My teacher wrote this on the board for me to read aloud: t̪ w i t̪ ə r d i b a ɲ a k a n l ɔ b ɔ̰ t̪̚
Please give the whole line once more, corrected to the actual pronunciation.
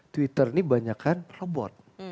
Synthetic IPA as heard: t̪ w i t̪ ə r n i b a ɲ a k a n r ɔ b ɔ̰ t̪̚